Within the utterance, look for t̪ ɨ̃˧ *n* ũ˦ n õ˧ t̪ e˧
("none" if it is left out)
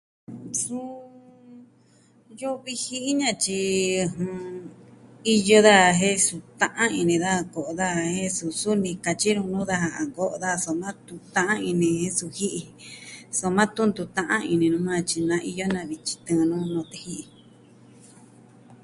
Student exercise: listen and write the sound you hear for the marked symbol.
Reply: n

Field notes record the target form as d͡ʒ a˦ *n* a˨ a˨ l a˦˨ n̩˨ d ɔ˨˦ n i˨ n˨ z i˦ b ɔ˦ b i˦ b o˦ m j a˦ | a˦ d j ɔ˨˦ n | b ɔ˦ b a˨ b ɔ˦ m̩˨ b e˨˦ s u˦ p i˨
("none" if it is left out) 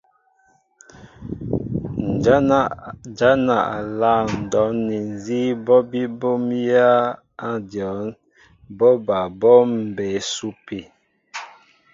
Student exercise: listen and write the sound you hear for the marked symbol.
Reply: n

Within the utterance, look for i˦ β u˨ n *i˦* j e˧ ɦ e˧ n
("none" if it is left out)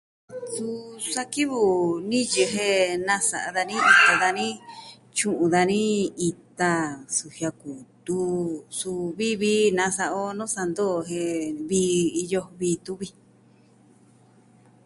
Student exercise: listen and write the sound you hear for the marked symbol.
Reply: ĩ˦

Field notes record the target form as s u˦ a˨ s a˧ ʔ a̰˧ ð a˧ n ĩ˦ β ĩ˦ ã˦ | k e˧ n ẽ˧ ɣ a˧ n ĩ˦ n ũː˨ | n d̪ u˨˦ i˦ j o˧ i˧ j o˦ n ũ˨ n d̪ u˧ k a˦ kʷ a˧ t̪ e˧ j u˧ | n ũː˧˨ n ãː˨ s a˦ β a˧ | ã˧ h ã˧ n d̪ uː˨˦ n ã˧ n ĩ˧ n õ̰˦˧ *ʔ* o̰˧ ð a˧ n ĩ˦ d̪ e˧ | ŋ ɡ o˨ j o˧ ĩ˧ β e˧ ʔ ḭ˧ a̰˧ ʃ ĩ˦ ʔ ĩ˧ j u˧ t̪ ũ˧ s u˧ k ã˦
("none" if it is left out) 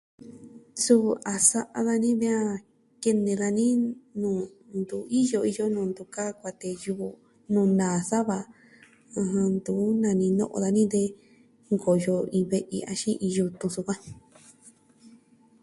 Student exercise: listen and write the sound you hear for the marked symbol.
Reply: ʔ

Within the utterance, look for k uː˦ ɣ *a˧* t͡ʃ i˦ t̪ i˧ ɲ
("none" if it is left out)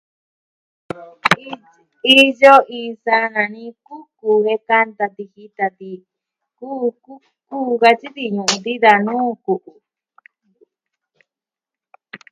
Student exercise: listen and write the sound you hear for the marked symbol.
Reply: a˧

